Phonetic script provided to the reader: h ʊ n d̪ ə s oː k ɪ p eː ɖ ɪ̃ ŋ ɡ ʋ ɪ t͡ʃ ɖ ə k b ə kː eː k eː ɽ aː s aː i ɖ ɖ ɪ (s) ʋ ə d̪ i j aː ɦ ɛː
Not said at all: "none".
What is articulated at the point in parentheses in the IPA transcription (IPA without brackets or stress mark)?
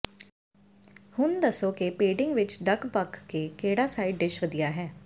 ʃ